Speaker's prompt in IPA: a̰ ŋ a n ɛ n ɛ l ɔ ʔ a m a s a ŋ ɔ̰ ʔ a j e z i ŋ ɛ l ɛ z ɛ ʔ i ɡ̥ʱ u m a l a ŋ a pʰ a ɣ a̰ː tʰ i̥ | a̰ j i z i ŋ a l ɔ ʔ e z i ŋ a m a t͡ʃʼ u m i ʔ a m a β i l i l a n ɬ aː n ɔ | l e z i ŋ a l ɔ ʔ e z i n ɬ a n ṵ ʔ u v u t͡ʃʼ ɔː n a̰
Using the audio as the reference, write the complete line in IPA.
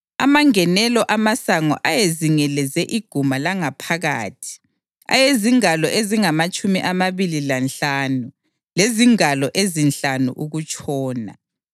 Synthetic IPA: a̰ m a ŋ ɛ n ɛ l ɔ ʔ a m a s a ŋ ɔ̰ ʔ a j e z i ŋ ɛ l ɛ z ɛ ʔ i ɡ̥ʱ u m a l a ŋ a pʰ a ɣ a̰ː tʰ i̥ | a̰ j e z i ŋ a l ɔ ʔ e z i ŋ a m a t͡ʃʼ u m i ʔ a m a β i l i l a n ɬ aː n u | l e z i ŋ a l ɔ ʔ e z i n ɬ a n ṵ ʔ u ɣ u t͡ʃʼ ɔː n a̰